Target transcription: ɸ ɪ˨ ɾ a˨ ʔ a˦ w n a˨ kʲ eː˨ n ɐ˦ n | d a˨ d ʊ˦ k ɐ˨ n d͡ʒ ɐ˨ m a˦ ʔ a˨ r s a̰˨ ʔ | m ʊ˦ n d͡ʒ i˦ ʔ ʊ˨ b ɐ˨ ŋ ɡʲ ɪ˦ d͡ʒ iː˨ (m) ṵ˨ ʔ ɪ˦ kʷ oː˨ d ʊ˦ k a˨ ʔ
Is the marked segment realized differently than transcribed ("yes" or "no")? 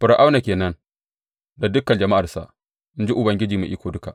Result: no